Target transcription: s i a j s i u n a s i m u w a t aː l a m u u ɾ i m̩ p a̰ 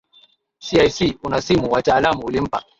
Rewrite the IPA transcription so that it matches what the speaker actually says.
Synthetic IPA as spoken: s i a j s i u n a s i m u w a t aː l a m u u l i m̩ p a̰

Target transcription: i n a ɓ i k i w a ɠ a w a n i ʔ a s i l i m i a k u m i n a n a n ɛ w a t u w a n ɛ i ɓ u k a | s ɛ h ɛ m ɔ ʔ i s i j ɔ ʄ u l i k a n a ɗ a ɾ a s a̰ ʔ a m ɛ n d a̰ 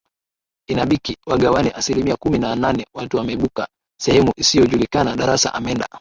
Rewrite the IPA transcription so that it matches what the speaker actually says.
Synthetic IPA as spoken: i n a ɓ i k i w a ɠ a w a n i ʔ a s i l i m i a k u m i n a n a n ɛ w a t u w a m ɛ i ɓ u k a | s ɛ h ɛ m u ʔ i s i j ɔ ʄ u l i k a n a ɗ a ɾ a s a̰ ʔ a m ɛ n d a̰

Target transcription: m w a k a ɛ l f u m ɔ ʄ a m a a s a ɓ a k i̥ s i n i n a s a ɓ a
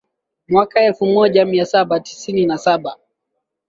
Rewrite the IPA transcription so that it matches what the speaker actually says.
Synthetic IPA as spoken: m w a k a ɛ l f u m ɔ ʄ a m i a s a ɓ a t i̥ s i n i n a s a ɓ a

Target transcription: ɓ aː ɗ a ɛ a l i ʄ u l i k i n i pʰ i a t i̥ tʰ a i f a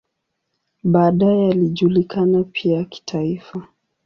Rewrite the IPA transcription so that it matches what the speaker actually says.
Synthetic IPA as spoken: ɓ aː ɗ a ɛ a l i ʄ u l i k a n a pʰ i a k i̥ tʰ a i f a

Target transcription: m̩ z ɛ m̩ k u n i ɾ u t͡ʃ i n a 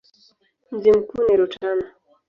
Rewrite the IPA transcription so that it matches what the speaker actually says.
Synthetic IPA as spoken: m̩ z i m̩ k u n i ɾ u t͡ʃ a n a

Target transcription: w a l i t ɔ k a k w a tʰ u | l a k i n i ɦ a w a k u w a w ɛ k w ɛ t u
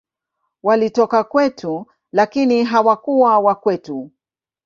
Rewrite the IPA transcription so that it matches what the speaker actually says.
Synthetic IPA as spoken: w a l i t ɔ k a k w ɛ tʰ u | l a k i n i ɦ a w a k u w a w a k w ɛ t u

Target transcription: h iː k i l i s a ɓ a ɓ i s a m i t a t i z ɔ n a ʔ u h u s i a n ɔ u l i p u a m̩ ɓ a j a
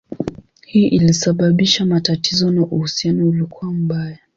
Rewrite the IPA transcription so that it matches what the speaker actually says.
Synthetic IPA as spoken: h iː ʔ i l i s a ɓ a ɓ i ʃ a m a t a t i z ɔ n a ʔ u h u s i a n ɔ u l i k u a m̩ ɓ a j a

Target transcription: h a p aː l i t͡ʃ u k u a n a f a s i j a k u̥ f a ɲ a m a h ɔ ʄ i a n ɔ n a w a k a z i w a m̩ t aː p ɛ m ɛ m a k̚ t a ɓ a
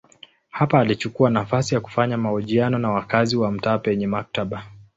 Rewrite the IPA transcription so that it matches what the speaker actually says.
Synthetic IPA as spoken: h a p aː l i t͡ʃ u k u a n a f a s i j a k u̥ f a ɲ a m a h ɔ ʄ i a n ɔ n a w a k a z i w a m̩ t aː p ɛ ɲ ɛ m a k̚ t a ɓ a

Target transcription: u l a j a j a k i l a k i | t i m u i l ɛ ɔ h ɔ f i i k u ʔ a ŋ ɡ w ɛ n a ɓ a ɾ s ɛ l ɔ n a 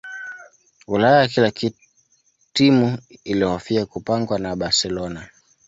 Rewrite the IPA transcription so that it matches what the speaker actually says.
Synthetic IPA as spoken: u l a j a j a k i l a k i | t i m u i l i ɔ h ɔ f i a k u p a ŋ ɡ w a n a ɓ a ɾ s ɛ l ɔ n a

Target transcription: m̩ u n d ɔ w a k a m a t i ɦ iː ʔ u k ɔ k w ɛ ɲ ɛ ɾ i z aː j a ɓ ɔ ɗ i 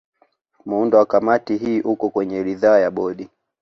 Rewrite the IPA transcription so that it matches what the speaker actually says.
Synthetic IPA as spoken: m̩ u n d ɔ w a k a m a t i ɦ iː ʔ u k ɔ k w ɛ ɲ ɛ ɾ i ð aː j a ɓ ɔ ɗ i

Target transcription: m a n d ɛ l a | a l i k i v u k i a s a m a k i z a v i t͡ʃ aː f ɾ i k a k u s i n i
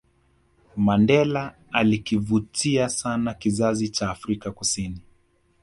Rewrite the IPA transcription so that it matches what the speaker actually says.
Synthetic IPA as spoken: m a n d ɛ l a | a l i k i v u t i a s a n a k i z a z i t͡ʃ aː f ɾ i k a k u s i n i

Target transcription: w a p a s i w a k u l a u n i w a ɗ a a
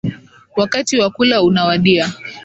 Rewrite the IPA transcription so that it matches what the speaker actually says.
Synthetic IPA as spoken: w a k a t i w a k u l a u n a w a ɗ i a

